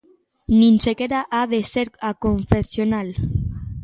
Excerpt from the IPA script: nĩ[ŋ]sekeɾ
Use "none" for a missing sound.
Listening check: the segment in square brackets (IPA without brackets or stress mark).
n